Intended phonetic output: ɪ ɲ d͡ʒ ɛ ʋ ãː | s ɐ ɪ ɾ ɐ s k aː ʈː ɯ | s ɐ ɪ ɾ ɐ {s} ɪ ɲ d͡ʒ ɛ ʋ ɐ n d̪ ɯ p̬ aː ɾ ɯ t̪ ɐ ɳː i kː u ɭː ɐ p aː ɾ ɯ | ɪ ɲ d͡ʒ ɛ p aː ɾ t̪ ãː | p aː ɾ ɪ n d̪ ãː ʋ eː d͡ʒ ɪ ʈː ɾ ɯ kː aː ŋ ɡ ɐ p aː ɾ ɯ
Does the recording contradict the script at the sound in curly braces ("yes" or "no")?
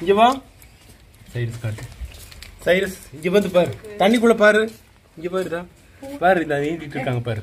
no